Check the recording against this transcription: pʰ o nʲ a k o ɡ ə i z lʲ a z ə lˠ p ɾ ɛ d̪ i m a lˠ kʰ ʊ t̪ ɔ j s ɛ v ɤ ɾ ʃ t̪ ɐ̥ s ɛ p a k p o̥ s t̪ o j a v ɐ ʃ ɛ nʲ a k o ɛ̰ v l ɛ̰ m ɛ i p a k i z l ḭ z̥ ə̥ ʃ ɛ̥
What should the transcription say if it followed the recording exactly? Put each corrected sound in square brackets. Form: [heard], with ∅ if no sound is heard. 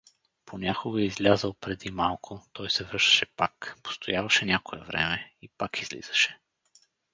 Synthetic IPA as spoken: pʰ o nʲ a k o ɡ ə i z lʲ a z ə lˠ p ɾ ɛ d̪ i m a lˠ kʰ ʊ t̪ ɔ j s ɛ v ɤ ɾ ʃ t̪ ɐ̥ [ʃ] ɛ p a k p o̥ s t̪ o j a v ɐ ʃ ɛ nʲ a k o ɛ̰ v [ɾ] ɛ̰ m ɛ i p a k i z l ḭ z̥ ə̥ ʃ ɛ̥